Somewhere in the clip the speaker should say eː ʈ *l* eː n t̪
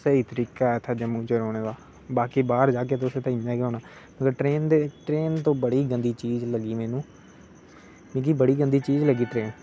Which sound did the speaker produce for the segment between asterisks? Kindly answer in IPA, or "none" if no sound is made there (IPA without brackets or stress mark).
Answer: ɾ